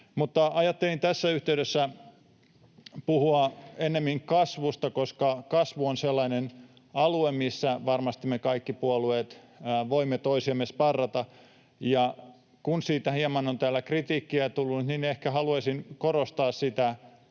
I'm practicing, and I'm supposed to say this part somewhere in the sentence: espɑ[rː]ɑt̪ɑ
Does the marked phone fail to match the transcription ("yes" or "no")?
no